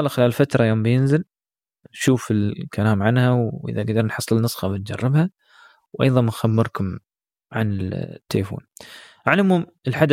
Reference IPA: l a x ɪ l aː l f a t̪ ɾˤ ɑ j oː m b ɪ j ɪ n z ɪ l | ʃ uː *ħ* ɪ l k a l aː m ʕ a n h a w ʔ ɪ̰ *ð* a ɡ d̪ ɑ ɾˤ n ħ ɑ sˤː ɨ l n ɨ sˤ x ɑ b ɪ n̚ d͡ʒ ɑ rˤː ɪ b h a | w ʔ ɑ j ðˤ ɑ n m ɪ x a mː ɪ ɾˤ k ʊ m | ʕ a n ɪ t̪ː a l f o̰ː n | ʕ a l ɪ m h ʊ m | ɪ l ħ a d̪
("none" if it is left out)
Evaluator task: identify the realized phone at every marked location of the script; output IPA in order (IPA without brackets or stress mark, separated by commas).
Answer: f, ð